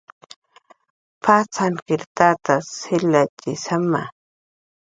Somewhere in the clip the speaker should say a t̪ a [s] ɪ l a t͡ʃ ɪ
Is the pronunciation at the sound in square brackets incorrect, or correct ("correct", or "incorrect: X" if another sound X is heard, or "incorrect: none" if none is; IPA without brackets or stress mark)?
correct